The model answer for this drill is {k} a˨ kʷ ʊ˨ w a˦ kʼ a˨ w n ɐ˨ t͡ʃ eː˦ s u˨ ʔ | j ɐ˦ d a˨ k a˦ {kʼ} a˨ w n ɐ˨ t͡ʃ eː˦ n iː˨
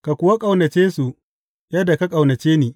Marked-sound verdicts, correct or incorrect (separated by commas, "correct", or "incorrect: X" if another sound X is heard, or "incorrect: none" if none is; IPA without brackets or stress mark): correct, correct